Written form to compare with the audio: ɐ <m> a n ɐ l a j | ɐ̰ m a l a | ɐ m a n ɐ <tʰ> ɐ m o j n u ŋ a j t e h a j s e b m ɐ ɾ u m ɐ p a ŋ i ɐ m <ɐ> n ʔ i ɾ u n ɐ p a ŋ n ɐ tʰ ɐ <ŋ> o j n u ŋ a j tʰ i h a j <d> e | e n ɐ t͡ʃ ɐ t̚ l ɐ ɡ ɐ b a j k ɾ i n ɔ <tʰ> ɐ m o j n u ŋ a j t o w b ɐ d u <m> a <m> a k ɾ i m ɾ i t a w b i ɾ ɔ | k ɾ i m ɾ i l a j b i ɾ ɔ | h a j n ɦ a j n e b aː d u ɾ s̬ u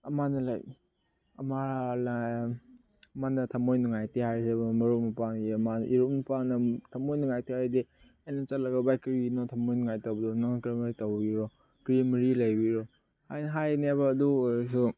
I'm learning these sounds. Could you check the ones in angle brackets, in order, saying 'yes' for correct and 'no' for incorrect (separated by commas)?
yes, yes, no, no, yes, yes, no, no